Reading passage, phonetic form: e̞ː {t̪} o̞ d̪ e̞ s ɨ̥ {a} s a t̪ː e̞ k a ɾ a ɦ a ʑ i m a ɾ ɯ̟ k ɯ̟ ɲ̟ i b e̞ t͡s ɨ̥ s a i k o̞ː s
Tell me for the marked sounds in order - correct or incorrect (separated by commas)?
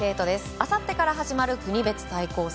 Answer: correct, correct